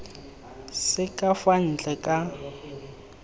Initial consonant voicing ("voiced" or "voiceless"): voiceless